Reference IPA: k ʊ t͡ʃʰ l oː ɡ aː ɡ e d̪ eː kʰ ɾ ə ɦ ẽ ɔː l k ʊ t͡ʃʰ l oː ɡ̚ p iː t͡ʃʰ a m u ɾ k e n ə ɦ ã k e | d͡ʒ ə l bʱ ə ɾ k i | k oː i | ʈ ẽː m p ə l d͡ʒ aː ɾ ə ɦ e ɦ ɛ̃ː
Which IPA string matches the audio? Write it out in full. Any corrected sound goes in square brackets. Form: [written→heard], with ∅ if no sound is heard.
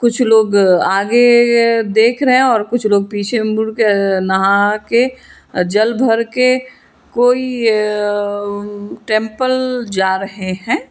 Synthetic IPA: k ʊ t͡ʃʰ l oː ɡ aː ɡ e d̪ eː kʰ ɾ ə ɦ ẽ ɔː [l→ɾ] k ʊ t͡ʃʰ l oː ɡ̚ p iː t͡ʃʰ [a→e] m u ɾ k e n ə ɦ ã k e | d͡ʒ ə l bʱ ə ɾ k [i→e] | k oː i | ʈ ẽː m p ə l d͡ʒ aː ɾ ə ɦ e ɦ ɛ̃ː

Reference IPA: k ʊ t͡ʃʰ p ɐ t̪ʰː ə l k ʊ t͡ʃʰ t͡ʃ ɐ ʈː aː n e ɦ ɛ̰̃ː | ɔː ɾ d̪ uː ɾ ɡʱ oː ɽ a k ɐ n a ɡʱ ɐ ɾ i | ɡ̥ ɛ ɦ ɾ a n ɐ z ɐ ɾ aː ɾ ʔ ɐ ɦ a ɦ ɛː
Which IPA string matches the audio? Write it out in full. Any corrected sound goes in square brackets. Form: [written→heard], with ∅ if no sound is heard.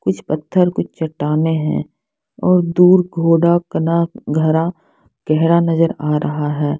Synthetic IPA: k ʊ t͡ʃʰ p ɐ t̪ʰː ə [l→ɾ] k ʊ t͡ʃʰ t͡ʃ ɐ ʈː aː n e ɦ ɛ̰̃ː | ɔː ɾ d̪ uː ɾ ɡʱ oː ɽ a k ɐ n a ɡʱ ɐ ɾ [i→a] | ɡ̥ ɛ ɦ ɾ a n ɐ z [ɐ→ə] ɾ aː ɾ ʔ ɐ ɦ a ɦ ɛː

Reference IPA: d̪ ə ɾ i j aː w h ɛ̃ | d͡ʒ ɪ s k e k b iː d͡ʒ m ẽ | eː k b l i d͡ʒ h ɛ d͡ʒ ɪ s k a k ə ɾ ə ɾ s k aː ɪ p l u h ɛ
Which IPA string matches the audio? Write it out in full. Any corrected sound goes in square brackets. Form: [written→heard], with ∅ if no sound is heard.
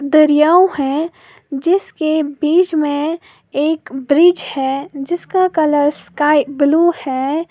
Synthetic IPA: d̪ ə ɾ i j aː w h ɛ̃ | d͡ʒ ɪ s k e [k→∅] b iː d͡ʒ m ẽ | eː k b [l→ɾ] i d͡ʒ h ɛ d͡ʒ ɪ s k a k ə [ɾ→l] ə ɾ s k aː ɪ [p→b] l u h ɛ

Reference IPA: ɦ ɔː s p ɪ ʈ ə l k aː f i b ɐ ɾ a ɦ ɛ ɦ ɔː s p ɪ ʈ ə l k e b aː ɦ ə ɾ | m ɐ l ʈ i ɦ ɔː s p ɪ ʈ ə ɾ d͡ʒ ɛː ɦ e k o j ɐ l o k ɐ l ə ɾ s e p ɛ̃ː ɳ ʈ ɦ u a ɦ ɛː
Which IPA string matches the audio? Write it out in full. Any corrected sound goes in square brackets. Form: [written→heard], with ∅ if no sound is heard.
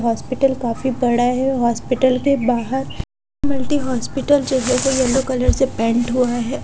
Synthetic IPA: ɦ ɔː s p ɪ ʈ ə l k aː f i b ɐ [ɾ→ɽ] a ɦ ɛ ɦ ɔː s p ɪ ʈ ə l k e b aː ɦ ə ɾ | m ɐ l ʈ i ɦ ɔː s p ɪ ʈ ə [ɾ→l] d͡ʒ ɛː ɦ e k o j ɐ l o k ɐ l ə ɾ s e p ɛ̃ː ɳ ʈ ɦ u a ɦ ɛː

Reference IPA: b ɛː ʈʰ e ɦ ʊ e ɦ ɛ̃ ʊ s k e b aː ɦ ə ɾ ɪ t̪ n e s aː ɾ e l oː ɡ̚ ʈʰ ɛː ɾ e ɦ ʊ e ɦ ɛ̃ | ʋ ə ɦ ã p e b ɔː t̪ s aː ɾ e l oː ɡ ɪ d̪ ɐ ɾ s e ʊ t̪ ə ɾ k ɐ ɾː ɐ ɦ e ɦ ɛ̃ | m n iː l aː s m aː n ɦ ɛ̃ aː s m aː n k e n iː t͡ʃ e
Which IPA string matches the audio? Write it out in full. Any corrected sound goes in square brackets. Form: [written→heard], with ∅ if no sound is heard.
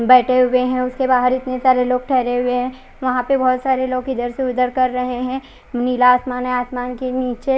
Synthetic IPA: b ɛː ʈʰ e ɦ ʊ e ɦ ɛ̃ ʊ s k e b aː ɦ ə ɾ ɪ t̪ n e s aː ɾ e l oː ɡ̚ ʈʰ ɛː ɾ e ɦ ʊ e ɦ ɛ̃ | ʋ [ə→ɐ] ɦ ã p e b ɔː t̪ s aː ɾ e l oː ɡ ɪ d̪ [ɐ→ə] ɾ s e ʊ [t̪→d̪] ə ɾ k ɐ ɾː ɐ ɦ e ɦ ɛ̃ | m n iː l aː s m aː n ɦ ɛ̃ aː s m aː n k e n iː t͡ʃ e

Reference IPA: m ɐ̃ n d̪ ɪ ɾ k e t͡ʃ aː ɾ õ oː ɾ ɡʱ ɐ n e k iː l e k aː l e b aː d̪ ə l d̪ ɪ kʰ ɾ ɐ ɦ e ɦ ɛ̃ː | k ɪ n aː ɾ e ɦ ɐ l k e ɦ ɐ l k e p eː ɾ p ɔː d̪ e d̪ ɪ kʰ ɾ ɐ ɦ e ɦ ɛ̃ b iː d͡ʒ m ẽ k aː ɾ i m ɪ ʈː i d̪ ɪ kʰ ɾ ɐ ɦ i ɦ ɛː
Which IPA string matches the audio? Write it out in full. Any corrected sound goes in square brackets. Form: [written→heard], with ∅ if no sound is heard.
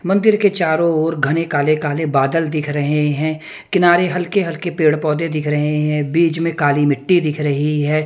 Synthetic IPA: m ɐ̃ n d̪ ɪ ɾ k e t͡ʃ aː ɾ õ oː ɾ ɡʱ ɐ n e k [iː→aː] l e k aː l e b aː d̪ ə l d̪ ɪ kʰ ɾ ɐ ɦ e ɦ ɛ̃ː | k ɪ n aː ɾ e ɦ ɐ l k e ɦ ɐ l k e p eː [ɾ→ɽ] p ɔː d̪ e d̪ ɪ kʰ ɾ ɐ ɦ e ɦ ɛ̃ b iː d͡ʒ m ẽ k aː [ɾ→l] i m ɪ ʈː i d̪ ɪ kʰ ɾ ɐ ɦ i ɦ ɛː

